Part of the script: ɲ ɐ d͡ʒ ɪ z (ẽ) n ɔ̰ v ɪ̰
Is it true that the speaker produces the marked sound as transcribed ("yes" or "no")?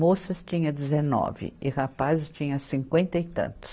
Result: no